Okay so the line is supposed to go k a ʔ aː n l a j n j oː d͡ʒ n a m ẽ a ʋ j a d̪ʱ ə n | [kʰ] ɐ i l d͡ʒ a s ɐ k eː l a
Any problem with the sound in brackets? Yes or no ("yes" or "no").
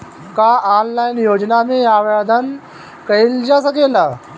yes